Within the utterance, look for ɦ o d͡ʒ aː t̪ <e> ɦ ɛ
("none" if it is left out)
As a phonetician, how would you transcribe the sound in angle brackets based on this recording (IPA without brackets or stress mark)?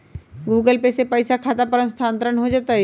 a